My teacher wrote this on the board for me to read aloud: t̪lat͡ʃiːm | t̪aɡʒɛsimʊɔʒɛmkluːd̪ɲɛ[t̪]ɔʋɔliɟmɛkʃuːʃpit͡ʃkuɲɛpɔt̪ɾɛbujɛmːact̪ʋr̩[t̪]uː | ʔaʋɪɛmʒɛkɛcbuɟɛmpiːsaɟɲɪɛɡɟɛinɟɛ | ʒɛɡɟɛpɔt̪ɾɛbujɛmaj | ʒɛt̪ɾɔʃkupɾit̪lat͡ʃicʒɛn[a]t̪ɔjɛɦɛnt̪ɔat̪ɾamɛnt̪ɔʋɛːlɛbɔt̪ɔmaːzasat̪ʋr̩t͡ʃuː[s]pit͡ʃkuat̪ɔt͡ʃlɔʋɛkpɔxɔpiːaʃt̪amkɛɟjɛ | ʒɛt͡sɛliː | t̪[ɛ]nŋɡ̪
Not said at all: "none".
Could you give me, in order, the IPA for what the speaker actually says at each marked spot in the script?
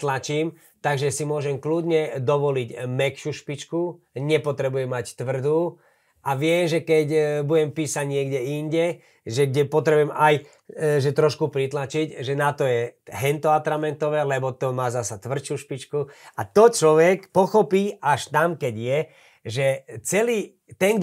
d̪, d̪, a, ʃ, ɛ

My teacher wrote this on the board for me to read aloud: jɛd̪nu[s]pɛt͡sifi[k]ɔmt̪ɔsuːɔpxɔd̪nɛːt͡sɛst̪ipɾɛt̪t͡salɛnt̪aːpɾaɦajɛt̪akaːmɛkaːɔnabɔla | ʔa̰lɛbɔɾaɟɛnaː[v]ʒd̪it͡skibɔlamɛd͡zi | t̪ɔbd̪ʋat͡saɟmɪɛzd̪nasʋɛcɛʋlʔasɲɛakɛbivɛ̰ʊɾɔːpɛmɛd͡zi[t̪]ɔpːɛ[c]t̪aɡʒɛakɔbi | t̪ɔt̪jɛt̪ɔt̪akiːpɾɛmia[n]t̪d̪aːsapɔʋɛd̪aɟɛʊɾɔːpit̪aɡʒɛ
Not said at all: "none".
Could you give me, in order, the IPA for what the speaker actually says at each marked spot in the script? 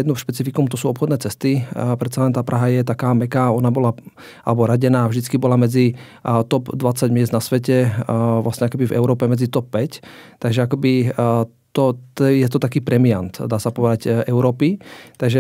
ʃ, k, v, t̪, c, n

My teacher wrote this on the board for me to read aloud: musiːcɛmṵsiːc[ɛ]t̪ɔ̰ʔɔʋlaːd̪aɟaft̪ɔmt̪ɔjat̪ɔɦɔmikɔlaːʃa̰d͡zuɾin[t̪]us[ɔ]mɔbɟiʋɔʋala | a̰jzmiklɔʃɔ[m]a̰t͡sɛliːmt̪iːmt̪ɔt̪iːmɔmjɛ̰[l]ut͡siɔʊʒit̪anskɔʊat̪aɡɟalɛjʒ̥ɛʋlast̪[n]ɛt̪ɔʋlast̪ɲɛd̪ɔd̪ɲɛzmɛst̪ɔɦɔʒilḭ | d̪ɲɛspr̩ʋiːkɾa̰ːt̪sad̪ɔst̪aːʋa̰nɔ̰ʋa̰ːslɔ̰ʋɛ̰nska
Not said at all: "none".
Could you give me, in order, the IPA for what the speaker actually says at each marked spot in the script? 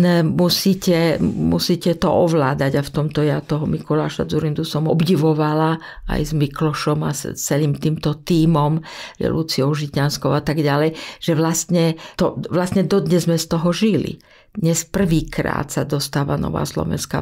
ɛ, d̪, ɔ, m, l, ɲ

